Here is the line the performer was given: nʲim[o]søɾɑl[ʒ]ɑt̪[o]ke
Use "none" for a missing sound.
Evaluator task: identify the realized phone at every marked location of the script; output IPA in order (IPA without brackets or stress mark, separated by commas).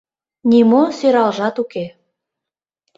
o, ʒ, u